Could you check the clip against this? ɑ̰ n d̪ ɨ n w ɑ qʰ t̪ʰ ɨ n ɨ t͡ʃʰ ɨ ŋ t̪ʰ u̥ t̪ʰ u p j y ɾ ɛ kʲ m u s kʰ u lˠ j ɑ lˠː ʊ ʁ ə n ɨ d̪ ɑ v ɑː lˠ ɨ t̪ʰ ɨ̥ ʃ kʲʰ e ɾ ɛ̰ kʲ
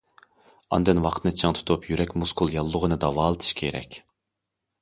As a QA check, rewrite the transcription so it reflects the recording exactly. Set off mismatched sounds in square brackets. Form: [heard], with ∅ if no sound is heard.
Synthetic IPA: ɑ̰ n d̪ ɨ n w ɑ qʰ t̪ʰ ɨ n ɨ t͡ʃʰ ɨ ŋ t̪ʰ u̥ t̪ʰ u p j y ɾ ɛ kʲ m u s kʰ u lˠ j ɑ lˠː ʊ ʁ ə n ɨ d̪ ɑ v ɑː lˠ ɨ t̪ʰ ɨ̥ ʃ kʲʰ e ɾ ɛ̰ kʲ